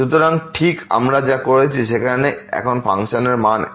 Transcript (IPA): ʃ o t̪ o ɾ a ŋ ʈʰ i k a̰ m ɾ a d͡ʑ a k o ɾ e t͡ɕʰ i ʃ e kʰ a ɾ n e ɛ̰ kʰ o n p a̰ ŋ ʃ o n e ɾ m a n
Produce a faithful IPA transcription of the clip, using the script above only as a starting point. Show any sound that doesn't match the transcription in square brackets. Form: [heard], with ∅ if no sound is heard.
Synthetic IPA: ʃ [u] t̪ o ɾ a ŋ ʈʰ i k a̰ m ɾ a d͡ʑ a k o ɾ e t͡ɕʰ i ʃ e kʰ a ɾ n e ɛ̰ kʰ o n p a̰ ŋ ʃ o n e ɾ m a n